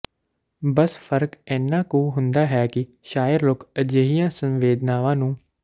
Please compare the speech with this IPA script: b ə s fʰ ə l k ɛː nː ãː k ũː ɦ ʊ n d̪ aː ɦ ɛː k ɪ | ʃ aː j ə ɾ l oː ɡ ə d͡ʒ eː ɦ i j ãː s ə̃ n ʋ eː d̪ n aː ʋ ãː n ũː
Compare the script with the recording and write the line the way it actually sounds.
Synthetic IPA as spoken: b ə s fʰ ə ɾ k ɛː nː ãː k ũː ɦ ʊ n d̪ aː ɦ ɛː k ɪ | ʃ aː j ə ɾ l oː k ə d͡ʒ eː ɦ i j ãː s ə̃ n ʋ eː d̪ n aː ʋ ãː n ũː